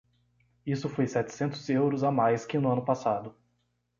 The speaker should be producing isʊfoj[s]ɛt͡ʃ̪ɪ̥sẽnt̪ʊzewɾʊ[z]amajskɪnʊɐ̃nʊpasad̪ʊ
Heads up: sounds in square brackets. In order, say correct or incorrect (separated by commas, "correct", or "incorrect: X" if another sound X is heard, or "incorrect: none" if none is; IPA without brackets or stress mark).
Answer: correct, correct